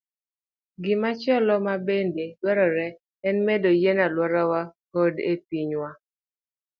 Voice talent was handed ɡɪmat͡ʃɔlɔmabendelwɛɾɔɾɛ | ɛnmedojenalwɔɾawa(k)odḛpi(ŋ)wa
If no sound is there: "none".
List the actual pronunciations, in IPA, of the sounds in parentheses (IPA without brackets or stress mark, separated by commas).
k, ɲ